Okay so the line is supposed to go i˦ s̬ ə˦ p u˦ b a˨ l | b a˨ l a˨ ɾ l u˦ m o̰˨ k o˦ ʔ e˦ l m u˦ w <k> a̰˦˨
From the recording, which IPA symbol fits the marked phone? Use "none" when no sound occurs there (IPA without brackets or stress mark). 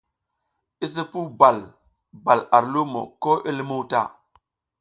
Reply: t